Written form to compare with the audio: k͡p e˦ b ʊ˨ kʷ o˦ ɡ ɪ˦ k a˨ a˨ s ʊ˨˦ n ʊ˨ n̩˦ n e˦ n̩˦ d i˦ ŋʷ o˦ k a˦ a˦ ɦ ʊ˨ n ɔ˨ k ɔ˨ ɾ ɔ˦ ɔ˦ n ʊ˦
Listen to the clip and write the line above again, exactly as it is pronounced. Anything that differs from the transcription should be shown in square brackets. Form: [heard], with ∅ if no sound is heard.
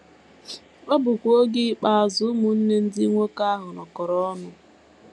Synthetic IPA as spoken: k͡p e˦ b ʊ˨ kʷ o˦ ɡ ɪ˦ [k͡p] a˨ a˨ [z] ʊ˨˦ [m] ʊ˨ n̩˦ n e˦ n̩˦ d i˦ ŋʷ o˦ k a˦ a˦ ɦ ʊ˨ n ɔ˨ k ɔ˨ ɾ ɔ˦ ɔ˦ n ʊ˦